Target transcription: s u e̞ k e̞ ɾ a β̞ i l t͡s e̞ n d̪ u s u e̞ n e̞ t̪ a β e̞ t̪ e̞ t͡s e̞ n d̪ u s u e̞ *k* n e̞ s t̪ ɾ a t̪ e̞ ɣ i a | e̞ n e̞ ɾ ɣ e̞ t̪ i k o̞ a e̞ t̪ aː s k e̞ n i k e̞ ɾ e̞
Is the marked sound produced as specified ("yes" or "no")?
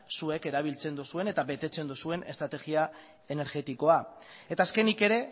no